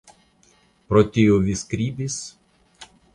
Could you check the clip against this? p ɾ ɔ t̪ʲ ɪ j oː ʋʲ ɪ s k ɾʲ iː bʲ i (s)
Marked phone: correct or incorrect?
correct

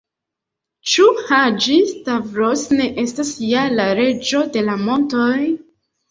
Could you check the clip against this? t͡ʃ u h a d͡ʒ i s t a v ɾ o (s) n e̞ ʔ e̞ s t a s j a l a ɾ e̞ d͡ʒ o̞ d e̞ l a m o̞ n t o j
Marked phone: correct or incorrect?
correct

